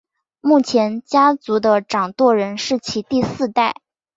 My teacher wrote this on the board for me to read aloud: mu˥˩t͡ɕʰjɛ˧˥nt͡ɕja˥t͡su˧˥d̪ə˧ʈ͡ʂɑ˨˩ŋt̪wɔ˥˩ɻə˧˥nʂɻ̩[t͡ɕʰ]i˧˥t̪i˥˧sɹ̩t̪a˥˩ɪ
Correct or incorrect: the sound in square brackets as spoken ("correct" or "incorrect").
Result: correct